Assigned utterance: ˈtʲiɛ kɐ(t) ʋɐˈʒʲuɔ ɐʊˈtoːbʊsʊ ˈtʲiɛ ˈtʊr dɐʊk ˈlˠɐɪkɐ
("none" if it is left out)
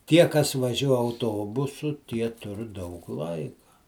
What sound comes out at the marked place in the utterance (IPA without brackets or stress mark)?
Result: s